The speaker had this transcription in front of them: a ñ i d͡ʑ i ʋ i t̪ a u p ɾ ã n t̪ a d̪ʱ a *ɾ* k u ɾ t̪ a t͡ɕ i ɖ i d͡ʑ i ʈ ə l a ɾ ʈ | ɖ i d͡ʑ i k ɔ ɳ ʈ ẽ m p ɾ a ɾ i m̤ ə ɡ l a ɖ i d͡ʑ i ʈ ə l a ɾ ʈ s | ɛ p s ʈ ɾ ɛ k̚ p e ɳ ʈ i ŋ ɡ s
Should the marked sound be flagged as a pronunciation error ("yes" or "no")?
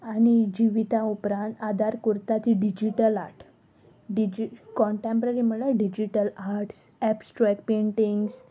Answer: no